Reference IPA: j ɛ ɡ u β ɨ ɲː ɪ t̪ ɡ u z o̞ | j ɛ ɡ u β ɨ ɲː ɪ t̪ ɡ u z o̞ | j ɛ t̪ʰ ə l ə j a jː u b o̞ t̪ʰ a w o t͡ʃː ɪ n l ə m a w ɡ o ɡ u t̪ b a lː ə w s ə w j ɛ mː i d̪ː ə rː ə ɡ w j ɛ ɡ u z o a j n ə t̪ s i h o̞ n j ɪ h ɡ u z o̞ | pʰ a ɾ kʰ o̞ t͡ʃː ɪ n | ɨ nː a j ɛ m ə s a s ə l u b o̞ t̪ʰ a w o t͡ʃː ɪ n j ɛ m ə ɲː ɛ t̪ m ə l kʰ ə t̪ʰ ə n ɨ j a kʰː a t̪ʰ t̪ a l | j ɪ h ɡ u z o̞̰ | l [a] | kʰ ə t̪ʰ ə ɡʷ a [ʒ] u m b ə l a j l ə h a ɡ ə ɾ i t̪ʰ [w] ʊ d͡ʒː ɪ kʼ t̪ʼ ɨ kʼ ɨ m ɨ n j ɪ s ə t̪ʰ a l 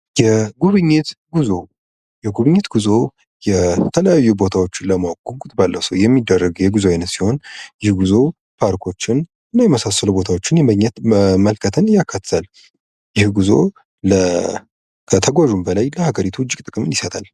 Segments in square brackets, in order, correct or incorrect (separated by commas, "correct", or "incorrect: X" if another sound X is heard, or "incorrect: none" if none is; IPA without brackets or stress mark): incorrect: ə, correct, incorrect: u